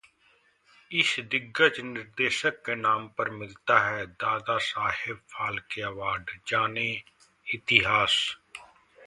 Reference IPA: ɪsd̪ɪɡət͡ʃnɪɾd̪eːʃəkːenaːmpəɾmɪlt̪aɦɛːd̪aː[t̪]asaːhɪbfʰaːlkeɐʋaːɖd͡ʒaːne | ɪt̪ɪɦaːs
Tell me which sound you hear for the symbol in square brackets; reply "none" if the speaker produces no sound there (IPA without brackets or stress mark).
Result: d̪